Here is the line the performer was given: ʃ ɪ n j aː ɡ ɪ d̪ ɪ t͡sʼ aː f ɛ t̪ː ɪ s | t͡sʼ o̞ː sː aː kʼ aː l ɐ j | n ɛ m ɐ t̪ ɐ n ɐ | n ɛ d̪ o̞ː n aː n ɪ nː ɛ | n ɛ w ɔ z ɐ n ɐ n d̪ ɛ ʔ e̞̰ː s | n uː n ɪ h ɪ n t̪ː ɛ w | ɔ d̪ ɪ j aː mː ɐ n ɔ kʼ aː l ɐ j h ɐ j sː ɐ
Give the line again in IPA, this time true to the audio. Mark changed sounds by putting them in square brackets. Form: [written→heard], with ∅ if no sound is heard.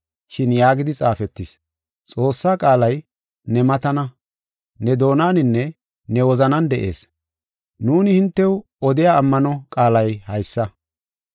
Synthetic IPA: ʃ ɪ n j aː ɡ ɪ d̪ ɪ t͡sʼ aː f ɛ t̪ː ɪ s | t͡sʼ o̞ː sː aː kʼ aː l ɐ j | n ɛ m ɐ t̪ ɐ n ɐ | n ɛ d̪ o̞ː n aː n ɪ nː ɛ | n ɛ w ɔ z ɐ n ɐ n d̪ ɛ ʔ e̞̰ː s | n uː n ɪ h ɪ n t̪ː ɛ w | ɔ d̪ ɪ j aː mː ɐ n ɔ kʼ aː l ɐ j h ɐ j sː ɐ